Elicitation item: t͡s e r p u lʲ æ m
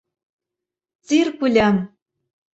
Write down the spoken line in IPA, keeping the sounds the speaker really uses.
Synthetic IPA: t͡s i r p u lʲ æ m